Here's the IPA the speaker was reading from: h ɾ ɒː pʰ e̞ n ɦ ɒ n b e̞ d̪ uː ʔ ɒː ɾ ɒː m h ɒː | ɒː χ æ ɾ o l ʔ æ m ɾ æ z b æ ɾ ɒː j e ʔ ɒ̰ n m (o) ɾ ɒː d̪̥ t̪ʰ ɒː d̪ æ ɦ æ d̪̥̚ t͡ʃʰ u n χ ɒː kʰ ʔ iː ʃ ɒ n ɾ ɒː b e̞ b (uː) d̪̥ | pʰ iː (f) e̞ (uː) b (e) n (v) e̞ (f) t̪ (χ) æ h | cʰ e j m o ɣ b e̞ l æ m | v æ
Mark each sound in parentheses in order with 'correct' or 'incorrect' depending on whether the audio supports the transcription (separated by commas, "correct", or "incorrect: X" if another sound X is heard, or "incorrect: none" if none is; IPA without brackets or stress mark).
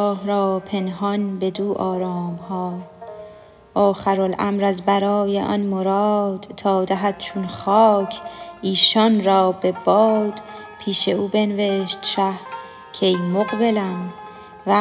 correct, incorrect: ɒː, incorrect: ʃ, correct, correct, correct, incorrect: ʃ, incorrect: ʃ